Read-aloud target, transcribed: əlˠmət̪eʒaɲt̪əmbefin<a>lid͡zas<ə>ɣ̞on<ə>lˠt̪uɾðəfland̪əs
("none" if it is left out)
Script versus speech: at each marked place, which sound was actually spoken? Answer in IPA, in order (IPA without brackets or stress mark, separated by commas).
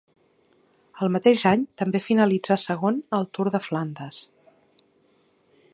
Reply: ə, ə, ə